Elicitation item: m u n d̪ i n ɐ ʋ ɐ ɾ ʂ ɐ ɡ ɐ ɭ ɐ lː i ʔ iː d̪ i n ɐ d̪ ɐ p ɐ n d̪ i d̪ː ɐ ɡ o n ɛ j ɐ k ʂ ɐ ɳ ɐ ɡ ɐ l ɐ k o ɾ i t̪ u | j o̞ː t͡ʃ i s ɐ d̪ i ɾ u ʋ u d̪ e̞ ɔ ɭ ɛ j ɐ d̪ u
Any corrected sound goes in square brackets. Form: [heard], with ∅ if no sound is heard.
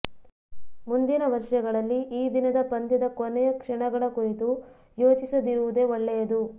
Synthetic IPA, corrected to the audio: m u n d̪ i n ɐ ʋ ɐ ɾ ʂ ɐ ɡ ɐ ɭ ɐ lː i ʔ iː d̪ i n ɐ d̪ ɐ p ɐ n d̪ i [d̪] ɐ [k] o n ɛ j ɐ k ʂ ɐ ɳ ɐ ɡ ɐ [ɭ] ɐ k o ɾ i t̪ u | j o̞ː t͡ʃ i s ɐ d̪ i ɾ u ʋ u d̪ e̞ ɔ [ɭː] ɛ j ɐ d̪ u